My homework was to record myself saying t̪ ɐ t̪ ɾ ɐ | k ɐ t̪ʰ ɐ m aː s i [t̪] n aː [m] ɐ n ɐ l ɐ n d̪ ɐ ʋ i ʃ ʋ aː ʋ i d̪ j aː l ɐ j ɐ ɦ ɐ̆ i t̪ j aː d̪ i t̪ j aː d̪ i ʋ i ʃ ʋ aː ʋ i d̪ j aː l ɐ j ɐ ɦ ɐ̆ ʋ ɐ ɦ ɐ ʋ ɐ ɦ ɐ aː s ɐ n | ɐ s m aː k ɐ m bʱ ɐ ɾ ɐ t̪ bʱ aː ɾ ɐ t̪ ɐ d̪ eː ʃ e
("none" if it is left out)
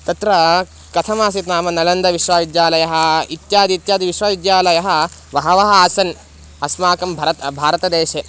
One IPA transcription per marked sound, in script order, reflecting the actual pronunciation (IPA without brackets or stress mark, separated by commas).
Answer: t̪, m